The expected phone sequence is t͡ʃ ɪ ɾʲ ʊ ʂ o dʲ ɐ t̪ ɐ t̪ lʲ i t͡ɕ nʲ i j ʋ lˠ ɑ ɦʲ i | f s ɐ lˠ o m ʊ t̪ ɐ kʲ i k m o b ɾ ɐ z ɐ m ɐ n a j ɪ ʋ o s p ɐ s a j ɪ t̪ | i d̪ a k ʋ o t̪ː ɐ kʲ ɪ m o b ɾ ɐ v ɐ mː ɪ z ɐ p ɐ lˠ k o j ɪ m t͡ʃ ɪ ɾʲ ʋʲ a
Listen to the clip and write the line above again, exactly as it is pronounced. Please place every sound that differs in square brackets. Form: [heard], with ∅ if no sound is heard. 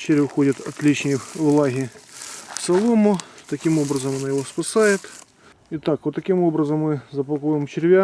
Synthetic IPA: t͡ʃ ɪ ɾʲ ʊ [x] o dʲ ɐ t̪ ɐ t̪ lʲ i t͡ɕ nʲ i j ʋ lˠ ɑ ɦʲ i | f s ɐ lˠ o m ʊ t̪ ɐ kʲ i [∅] m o b ɾ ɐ z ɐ m ɐ n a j ɪ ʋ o s p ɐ s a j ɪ t̪ | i [t̪] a k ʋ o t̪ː ɐ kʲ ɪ m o b ɾ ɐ [z] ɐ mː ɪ z ɐ p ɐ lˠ k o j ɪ m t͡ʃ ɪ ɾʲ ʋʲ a